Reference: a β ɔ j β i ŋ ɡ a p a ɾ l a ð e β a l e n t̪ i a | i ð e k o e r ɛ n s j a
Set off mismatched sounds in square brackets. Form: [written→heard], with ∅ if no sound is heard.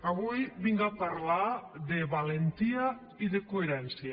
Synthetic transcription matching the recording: a β [ɔ→u] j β i ŋ ɡ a p a ɾ l a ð e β a l e n t̪ i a | i ð e k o e [r→ɾ] ɛ n s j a